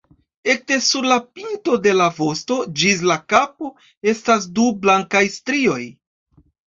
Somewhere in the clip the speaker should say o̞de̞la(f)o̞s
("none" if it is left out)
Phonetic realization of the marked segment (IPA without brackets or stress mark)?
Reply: v